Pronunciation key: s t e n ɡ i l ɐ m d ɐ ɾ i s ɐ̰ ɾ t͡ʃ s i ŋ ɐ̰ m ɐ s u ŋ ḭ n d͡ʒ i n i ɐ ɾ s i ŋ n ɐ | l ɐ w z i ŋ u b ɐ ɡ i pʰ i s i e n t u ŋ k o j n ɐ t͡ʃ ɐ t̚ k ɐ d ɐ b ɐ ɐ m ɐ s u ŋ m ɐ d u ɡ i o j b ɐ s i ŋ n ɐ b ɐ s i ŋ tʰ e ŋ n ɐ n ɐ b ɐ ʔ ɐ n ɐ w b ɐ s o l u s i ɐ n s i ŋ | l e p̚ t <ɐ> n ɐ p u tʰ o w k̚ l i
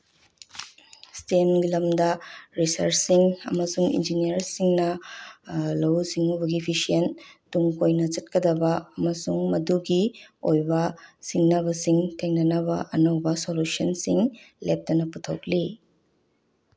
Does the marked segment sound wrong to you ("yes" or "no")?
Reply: no